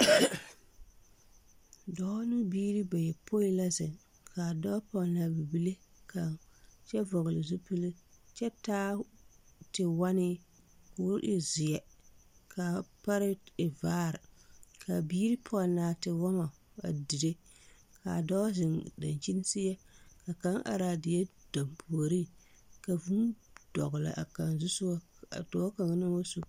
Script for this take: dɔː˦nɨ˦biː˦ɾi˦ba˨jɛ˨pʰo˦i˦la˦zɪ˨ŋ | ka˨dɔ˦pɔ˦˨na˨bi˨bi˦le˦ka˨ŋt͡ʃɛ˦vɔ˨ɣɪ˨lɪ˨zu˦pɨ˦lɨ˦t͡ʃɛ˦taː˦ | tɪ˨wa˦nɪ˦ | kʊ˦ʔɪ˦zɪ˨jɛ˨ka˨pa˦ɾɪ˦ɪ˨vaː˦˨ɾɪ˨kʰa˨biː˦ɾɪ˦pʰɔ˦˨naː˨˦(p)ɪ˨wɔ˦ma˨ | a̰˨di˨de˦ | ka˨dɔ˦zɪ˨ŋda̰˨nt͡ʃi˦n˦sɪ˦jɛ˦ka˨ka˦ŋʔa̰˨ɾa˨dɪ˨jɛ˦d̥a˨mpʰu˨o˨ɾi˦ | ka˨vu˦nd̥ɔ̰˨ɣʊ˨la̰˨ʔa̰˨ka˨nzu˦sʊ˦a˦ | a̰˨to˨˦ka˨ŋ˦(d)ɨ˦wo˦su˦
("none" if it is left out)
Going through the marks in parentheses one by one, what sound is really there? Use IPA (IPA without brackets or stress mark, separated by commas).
t, n